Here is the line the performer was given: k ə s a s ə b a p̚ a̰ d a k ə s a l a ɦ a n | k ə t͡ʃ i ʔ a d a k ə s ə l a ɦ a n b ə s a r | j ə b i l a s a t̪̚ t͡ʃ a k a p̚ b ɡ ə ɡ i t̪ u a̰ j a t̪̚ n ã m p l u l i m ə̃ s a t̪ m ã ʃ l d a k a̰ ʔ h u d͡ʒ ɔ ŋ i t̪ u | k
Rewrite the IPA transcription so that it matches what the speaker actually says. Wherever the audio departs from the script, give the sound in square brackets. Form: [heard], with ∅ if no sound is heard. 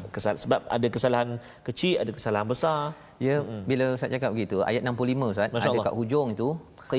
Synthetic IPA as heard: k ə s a s ə b a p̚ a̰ d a k ə s a l a ɦ a n | k ə t͡ʃ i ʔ a d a k ə s [a] l a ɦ a n b ə s a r | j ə b i l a s a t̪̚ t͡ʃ a k a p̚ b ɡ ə ɡ i t̪ u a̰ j a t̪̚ n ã m p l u l i m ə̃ s a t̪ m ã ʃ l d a k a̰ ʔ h u d͡ʒ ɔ ŋ i t̪ u | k